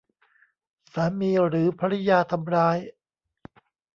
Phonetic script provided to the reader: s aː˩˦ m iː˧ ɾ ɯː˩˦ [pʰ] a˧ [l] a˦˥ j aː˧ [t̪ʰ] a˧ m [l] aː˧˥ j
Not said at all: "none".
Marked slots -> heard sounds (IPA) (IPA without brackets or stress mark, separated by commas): pʰ, ɾ, t̪ʰ, ɾ